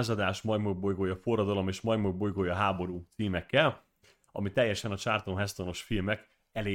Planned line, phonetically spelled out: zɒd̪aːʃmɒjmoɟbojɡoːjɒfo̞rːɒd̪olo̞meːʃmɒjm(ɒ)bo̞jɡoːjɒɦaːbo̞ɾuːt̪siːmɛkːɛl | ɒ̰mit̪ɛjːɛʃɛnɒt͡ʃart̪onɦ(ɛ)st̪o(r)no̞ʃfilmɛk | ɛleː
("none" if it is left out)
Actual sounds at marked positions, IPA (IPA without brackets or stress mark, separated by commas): o, ɛ, none